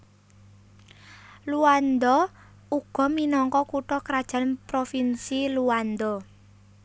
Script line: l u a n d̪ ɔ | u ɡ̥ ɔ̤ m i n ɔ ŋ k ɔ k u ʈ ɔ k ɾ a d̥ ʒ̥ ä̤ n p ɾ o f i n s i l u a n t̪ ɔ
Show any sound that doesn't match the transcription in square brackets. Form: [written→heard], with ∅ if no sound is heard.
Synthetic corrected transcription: l u a n d̪ ɔ | u ɡ̥ ɔ̤ m i n ɔ ŋ k ɔ k u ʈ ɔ k ɾ a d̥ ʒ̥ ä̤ n p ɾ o f i n s i l u a n [t̪→d̪] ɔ